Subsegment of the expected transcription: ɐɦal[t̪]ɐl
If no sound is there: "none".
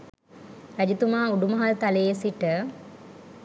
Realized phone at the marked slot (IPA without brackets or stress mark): t̪